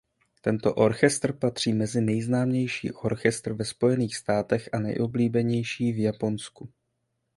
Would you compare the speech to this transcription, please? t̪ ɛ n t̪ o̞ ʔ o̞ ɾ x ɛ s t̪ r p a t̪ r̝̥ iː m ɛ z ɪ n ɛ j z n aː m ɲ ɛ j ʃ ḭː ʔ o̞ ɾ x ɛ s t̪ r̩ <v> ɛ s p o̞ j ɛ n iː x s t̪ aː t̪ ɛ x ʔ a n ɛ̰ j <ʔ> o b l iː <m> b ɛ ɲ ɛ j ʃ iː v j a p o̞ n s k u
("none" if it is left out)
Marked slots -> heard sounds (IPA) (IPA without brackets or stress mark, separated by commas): v, ʔ, none